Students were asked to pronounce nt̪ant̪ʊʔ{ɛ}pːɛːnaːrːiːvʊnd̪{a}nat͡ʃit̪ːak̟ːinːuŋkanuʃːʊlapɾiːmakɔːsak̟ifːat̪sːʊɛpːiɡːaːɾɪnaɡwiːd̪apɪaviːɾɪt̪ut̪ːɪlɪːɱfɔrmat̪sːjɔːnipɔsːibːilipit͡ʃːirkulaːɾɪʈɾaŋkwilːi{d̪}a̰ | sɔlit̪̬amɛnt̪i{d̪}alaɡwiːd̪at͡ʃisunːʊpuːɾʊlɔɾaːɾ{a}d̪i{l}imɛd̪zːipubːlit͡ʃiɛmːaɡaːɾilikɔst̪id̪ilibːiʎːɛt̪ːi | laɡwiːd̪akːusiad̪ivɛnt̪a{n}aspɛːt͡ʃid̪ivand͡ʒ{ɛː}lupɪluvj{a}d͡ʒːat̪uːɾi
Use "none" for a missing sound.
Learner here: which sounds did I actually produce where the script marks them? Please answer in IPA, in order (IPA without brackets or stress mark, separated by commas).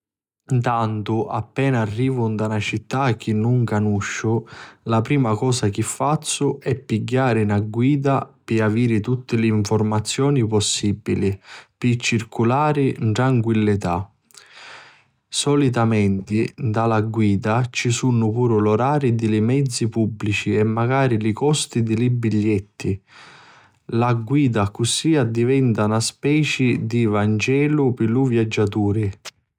a, a, t̪, d̪, i, l, n, ɛː, a